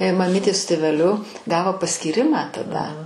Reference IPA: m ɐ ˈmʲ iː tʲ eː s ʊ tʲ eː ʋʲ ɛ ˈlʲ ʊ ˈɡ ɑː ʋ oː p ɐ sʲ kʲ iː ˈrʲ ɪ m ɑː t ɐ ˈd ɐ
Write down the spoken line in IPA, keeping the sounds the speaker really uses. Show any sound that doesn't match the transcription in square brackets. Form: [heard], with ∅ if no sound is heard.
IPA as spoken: m ɐ ˈmʲ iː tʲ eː s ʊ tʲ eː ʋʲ ɛ ˈlʲ ʊ ˈɡ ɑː ʋ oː p ɐ sʲ kʲ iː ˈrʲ ɪ m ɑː t ɐ ˈd ɐ